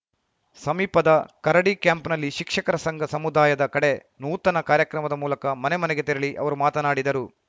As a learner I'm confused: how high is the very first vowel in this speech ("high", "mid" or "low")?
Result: low